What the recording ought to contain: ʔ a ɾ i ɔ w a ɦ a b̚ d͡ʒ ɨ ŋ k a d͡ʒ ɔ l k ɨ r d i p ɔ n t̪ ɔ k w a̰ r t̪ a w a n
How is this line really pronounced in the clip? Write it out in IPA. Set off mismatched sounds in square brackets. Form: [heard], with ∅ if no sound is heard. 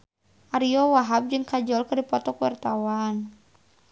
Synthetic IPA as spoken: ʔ a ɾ i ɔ w a ɦ a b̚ d͡ʒ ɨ ŋ k a d͡ʒ ɔ l k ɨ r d i p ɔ [∅] t̪ ɔ k w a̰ r t̪ a w a n